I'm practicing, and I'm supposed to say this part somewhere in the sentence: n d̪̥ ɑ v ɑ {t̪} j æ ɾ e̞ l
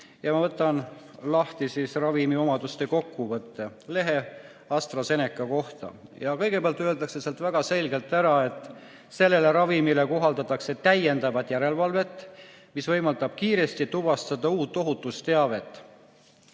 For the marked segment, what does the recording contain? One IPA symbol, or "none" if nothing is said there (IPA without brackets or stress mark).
t̪